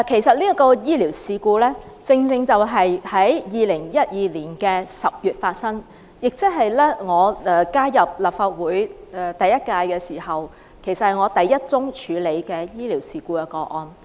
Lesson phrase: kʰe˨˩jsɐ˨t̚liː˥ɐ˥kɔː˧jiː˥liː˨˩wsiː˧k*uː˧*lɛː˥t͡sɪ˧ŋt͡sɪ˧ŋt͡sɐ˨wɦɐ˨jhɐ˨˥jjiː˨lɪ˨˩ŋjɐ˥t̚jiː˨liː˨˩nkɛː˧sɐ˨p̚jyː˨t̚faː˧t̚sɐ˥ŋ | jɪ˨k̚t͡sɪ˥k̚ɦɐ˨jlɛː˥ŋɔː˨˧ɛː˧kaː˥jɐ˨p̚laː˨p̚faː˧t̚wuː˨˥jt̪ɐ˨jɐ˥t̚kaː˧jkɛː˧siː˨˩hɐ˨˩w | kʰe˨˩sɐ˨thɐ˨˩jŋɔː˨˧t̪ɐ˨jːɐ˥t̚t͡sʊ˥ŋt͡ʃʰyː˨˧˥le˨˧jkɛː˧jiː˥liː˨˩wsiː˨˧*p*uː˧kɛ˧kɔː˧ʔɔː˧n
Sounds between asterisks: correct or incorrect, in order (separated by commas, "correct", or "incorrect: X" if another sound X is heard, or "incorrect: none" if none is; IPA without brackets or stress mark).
correct, incorrect: k